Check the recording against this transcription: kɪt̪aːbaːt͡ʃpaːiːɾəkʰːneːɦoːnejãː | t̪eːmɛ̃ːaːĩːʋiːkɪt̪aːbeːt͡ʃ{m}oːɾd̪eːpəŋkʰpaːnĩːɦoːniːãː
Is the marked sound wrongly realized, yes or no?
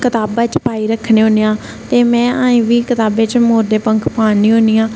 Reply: no